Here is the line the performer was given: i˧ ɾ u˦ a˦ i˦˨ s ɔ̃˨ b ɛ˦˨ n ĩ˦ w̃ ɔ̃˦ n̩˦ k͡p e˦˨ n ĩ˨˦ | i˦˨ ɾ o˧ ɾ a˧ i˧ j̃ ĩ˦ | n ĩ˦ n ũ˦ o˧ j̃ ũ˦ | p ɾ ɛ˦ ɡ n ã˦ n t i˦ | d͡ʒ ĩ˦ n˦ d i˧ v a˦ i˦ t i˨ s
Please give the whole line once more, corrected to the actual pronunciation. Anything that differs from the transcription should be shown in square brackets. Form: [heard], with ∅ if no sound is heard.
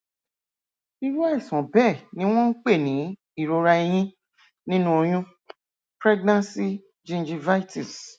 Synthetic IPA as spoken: i˧ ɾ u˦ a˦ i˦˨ s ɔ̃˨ b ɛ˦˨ n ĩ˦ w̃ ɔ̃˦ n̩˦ k͡p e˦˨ n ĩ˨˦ | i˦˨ ɾ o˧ ɾ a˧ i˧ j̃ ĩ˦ | n ĩ˦ n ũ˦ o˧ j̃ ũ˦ | p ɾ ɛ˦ ɡ n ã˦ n [s] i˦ | d͡ʒ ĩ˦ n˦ [d͡ʒ] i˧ v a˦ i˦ t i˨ s

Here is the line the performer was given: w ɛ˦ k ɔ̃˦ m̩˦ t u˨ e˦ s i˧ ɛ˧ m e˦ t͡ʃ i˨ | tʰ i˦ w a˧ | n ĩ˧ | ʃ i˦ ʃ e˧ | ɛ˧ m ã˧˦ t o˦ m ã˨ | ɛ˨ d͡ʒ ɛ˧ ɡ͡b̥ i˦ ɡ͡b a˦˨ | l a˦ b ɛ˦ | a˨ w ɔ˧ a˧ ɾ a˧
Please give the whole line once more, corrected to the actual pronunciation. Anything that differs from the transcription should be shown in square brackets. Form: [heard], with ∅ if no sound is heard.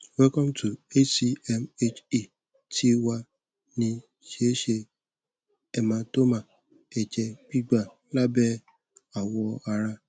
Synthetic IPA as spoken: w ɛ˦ k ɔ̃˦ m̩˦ t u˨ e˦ s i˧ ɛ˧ m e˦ t͡ʃ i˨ | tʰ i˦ w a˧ | n ĩ˧ | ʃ [e˦] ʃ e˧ | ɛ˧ m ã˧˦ t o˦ m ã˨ | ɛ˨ d͡ʒ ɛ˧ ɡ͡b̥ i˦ ɡ͡b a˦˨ | l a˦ b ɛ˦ | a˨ w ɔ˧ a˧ ɾ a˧

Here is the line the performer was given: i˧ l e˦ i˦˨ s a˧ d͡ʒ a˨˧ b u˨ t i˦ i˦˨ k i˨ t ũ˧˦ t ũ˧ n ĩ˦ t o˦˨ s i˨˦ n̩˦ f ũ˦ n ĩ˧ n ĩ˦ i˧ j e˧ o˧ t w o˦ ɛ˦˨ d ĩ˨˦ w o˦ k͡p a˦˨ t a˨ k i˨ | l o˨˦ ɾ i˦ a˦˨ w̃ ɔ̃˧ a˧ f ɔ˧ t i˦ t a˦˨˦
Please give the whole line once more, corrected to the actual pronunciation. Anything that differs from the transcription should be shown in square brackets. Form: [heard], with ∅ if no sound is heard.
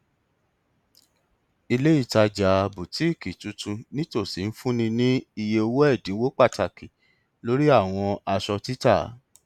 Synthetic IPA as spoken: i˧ l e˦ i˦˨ [t] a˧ d͡ʒ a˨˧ b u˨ t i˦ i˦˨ k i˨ t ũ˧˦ t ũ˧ n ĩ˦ t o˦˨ s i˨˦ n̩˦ f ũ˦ n ĩ˧ n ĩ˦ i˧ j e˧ o˧ [∅] w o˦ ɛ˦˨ d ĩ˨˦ w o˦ k͡p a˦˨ t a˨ k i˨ | l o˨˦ ɾ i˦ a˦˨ w̃ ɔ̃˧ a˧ [ʃ] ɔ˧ t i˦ t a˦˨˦

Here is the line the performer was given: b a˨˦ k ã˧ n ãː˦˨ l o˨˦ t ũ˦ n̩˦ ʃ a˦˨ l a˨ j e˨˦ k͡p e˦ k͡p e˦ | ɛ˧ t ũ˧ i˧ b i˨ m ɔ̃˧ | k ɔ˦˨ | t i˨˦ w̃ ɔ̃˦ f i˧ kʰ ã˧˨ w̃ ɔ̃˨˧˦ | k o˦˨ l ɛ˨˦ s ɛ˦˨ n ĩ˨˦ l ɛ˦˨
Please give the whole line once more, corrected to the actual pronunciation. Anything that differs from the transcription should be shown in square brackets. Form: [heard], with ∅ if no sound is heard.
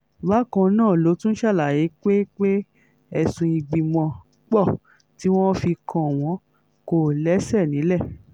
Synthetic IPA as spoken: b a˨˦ k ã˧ n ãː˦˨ l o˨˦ t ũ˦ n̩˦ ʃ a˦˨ l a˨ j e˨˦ k͡p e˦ k͡p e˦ | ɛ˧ [s] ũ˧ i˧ [ɡ͡b] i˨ m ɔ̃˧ | [k͡p] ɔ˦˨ | t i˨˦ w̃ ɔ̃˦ f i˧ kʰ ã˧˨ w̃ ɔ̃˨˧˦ | k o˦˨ l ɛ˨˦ s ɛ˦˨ n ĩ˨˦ l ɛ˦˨

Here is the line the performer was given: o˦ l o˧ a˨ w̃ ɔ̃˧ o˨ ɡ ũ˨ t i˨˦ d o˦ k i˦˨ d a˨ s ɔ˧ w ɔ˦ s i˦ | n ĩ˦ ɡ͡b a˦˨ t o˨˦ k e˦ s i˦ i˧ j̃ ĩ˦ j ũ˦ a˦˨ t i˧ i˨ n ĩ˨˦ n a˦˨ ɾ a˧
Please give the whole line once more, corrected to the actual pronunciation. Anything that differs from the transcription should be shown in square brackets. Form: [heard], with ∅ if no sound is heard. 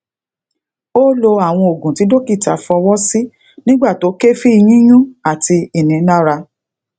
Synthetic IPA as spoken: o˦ l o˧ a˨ w̃ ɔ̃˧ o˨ ɡ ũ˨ t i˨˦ d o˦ k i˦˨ [t] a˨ [f] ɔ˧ w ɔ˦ s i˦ | n ĩ˦ ɡ͡b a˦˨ t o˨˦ k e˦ [f] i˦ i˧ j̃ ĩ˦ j ũ˦ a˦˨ t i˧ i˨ n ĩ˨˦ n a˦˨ ɾ a˧

